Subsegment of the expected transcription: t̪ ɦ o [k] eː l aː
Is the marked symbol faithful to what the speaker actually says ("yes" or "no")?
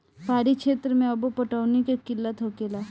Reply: yes